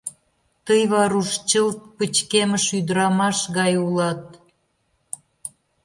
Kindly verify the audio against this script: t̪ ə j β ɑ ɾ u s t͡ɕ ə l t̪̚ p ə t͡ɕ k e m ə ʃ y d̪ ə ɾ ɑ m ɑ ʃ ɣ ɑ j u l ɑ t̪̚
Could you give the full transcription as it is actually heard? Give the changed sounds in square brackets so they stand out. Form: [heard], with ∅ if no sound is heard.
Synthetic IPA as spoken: t̪ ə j β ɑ ɾ u [ʃ] t͡ɕ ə l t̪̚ p ə t͡ɕ k e m ə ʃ y d̪ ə ɾ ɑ m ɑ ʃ ɣ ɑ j u l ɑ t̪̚